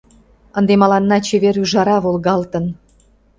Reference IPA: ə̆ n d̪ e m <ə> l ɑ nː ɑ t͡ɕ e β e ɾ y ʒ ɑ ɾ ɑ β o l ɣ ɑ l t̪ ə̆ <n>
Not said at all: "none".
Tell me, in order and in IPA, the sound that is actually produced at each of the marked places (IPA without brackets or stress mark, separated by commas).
ɑ, n